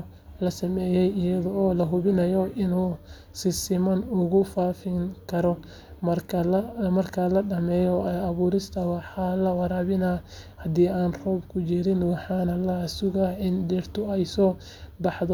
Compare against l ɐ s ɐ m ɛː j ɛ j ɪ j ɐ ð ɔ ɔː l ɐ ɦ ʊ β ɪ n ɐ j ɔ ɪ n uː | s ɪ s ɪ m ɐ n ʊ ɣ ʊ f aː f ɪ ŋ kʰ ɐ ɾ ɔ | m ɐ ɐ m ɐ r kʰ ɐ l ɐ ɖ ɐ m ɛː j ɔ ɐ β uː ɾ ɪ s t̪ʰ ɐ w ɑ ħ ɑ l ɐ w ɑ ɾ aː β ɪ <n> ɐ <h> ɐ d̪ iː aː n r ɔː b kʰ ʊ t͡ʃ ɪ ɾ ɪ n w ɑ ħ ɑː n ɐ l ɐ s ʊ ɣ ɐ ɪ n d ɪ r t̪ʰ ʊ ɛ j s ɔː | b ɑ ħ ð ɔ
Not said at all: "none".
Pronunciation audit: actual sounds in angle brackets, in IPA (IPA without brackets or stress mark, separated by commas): n, h